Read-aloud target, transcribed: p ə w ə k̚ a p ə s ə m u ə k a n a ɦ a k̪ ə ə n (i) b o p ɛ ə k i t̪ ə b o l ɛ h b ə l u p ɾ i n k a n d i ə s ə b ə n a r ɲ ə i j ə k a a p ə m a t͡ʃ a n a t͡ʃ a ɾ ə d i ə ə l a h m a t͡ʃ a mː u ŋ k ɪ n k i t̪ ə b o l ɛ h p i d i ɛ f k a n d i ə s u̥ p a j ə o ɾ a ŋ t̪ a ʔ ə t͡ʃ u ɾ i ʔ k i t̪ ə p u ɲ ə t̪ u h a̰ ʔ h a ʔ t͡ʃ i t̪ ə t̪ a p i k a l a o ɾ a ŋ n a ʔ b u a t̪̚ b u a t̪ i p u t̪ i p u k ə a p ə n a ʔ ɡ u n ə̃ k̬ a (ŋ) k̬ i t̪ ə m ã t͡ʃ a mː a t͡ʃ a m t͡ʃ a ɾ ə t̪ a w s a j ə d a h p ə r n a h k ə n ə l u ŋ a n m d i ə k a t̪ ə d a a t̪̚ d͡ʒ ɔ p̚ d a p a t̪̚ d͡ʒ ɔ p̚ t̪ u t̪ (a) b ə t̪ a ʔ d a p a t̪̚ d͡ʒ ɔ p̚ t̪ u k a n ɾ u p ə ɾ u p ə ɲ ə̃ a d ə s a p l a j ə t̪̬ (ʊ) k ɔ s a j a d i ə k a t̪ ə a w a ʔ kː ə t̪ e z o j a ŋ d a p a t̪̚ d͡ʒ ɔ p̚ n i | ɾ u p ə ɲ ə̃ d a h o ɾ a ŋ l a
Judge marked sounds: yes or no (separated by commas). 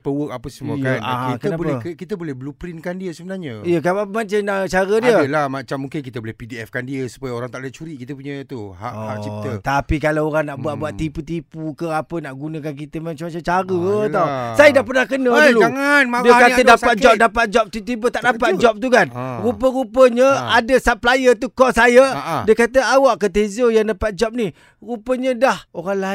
no, no, no, no